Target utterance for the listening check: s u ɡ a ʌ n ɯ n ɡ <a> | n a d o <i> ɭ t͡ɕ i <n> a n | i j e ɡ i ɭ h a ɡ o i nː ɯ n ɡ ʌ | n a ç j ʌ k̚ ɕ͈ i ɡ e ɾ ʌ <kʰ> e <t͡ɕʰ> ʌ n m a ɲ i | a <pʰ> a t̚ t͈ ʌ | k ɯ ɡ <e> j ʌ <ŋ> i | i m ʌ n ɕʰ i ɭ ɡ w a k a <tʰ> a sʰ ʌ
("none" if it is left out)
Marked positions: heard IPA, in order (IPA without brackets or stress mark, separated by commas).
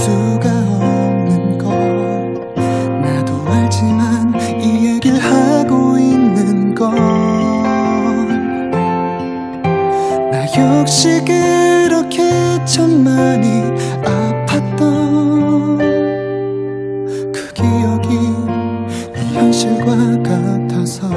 ʌ, a, m, kʰ, t͡ɕʰ, pʰ, e, ɡ, tʰ